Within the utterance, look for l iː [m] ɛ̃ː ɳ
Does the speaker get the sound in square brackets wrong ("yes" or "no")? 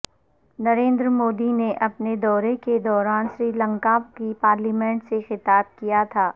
no